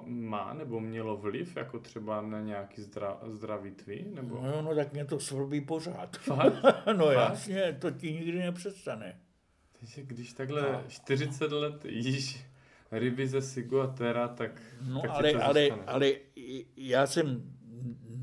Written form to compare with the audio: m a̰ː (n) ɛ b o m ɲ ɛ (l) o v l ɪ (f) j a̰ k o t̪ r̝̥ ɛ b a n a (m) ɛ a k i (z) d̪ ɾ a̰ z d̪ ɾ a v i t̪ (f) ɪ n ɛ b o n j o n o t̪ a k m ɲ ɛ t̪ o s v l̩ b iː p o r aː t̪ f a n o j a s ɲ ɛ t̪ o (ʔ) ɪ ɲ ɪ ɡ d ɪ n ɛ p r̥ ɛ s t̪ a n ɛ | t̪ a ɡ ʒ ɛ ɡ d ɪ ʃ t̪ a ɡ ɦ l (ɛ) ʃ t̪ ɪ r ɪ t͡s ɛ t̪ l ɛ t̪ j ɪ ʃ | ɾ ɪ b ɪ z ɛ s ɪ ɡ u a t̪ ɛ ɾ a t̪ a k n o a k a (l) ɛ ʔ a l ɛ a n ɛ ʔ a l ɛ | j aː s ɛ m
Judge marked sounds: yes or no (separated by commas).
yes, yes, yes, no, yes, no, no, yes, yes